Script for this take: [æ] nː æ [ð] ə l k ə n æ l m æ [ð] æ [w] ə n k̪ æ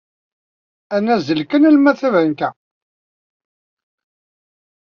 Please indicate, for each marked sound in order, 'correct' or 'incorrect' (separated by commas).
correct, incorrect, incorrect, incorrect